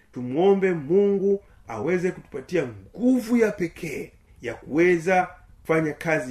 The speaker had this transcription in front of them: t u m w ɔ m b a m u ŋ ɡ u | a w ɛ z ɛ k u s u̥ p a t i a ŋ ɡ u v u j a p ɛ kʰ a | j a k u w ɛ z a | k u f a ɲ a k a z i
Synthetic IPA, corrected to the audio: t u m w ɔ m b ɛ m u ŋ ɡ u | a w ɛ z ɛ k u t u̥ p a t i a ŋ ɡ u v u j a p ɛ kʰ ɛ | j a k u w ɛ z a | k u f a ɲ a k a z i